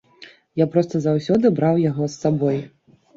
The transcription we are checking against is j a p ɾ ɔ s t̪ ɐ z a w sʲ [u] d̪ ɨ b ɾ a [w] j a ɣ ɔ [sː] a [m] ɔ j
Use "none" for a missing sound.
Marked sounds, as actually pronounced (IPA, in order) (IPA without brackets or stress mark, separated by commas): ɔ, w, sː, b